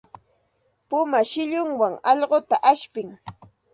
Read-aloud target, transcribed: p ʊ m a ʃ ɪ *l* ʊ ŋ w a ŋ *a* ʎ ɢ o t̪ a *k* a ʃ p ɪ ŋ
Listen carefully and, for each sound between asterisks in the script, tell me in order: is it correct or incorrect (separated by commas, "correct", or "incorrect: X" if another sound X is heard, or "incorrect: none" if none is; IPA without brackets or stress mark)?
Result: incorrect: ʎ, incorrect: ɑ, incorrect: ʔ